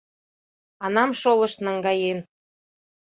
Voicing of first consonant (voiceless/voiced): voiced